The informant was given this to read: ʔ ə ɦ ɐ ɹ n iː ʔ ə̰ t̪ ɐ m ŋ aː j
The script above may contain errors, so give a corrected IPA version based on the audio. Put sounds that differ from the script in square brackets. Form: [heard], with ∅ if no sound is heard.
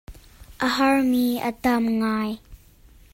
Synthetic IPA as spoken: ʔ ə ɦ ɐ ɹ [m] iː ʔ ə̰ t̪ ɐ m ŋ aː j